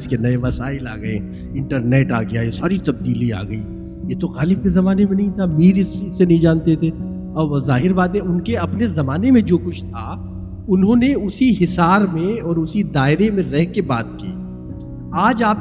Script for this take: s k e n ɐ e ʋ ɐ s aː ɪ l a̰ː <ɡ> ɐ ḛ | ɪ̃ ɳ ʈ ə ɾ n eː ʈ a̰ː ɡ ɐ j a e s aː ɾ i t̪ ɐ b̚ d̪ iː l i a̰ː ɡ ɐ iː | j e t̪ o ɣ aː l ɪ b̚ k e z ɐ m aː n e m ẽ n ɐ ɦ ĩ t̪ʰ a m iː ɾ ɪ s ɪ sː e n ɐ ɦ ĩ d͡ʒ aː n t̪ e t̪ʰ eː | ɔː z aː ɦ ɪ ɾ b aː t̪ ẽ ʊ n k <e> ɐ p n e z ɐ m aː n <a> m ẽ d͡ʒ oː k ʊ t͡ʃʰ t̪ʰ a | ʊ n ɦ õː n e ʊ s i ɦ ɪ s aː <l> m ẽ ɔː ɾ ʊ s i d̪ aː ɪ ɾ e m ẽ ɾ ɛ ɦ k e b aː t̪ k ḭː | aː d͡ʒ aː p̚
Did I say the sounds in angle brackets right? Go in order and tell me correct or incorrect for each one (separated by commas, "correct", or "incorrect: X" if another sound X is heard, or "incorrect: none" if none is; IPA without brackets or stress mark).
correct, correct, incorrect: e, incorrect: ɾ